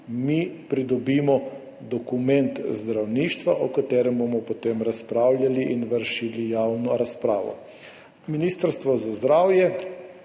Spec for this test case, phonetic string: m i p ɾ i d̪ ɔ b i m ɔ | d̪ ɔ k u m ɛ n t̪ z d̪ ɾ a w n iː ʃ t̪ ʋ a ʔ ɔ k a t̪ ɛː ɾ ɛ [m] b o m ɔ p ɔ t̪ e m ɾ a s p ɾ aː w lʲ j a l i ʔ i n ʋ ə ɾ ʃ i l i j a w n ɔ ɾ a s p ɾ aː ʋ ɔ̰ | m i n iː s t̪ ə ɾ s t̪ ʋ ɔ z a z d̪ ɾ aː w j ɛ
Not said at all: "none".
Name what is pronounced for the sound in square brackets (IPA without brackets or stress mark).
m